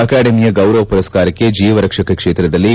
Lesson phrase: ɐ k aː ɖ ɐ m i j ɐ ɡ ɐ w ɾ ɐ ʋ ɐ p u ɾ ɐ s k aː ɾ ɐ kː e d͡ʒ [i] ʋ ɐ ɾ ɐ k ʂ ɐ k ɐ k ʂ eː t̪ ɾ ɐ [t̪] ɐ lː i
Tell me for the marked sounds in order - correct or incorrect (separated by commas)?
incorrect, incorrect